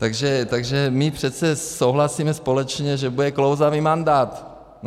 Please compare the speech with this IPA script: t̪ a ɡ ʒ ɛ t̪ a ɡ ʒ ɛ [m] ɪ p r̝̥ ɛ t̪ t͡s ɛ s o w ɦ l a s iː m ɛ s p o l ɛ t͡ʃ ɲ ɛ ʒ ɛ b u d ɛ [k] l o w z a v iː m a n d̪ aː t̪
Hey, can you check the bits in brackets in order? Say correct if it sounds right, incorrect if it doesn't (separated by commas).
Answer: correct, correct